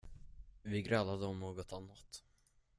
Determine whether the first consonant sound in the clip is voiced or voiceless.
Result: voiced